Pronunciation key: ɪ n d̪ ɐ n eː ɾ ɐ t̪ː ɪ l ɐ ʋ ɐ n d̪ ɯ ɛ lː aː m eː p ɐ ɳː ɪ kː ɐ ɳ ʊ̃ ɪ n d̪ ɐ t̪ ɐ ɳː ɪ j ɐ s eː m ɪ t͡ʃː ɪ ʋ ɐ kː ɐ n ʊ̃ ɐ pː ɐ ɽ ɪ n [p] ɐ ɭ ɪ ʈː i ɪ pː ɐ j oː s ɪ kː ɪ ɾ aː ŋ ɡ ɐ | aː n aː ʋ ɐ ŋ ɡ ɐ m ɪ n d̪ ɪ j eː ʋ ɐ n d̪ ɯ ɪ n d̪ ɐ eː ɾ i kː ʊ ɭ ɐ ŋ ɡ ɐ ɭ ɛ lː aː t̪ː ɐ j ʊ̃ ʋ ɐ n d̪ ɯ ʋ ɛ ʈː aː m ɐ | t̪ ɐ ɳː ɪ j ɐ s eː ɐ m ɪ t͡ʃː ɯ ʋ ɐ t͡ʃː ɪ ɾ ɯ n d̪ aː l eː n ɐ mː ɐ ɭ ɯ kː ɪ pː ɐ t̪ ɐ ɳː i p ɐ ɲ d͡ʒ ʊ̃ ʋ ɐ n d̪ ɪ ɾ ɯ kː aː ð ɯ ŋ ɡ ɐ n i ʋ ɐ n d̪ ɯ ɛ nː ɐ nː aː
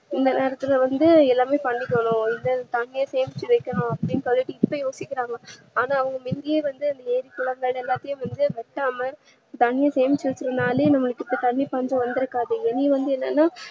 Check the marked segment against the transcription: incorrect: k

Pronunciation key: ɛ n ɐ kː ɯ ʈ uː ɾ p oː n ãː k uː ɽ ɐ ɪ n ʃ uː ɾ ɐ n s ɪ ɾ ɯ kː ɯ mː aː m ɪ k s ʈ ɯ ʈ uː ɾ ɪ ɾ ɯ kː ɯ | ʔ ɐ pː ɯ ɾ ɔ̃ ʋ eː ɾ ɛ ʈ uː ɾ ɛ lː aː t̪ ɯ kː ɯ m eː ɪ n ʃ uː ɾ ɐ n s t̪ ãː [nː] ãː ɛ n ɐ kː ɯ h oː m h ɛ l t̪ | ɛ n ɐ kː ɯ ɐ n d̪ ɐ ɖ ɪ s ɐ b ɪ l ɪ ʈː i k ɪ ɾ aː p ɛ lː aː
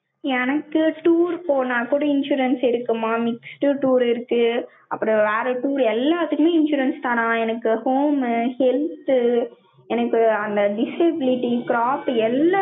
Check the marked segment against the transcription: incorrect: n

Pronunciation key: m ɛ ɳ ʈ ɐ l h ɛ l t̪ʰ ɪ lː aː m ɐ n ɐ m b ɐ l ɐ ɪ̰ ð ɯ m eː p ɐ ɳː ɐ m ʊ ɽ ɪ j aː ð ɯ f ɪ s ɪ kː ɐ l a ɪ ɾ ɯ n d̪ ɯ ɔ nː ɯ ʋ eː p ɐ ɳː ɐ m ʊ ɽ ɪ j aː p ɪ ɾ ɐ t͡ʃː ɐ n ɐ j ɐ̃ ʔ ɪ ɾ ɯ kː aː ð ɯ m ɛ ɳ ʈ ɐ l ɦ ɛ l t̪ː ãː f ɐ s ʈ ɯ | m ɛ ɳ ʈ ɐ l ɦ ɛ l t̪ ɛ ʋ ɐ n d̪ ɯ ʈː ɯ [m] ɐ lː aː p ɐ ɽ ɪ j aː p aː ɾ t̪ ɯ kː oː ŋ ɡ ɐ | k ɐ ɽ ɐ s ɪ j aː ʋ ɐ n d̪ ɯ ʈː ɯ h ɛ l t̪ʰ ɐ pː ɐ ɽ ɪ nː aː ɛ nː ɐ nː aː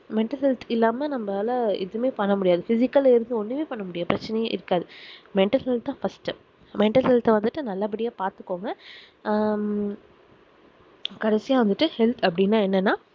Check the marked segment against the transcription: incorrect: n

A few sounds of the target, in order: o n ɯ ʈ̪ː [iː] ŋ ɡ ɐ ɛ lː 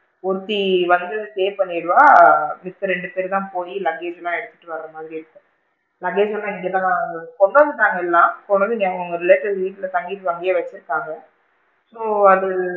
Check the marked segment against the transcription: incorrect: aː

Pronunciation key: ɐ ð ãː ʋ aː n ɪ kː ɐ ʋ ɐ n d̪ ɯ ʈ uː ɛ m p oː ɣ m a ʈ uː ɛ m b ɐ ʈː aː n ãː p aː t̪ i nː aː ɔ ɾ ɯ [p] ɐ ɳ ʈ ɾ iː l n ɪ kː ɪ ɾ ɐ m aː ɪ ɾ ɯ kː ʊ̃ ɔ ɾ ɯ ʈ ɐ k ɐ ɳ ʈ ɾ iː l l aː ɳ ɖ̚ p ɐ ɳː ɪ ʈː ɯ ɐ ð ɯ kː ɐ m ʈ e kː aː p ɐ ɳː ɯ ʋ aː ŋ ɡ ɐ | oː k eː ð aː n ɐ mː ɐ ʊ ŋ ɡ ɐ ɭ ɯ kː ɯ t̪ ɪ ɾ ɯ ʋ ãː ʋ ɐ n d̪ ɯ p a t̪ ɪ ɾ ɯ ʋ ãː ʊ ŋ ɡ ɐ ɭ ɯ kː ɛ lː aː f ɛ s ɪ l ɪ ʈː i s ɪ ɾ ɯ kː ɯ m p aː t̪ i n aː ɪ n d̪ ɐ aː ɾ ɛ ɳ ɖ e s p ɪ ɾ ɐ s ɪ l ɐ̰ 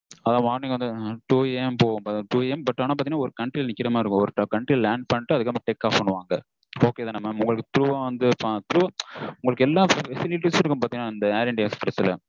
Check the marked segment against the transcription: incorrect: k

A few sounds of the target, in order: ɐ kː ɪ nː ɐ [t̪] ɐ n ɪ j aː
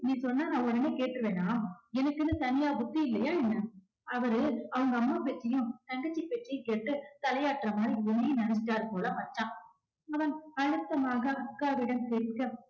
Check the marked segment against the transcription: correct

